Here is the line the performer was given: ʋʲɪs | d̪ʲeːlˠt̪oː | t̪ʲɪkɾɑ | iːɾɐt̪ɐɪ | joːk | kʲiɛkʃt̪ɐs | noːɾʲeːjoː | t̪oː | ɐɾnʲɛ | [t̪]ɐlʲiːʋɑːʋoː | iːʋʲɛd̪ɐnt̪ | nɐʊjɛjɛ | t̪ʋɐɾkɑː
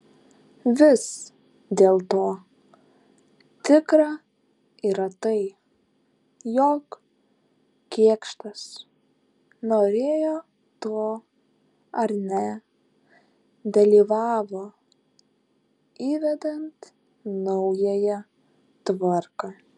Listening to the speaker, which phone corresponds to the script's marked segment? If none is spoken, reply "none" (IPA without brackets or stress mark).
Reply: d̪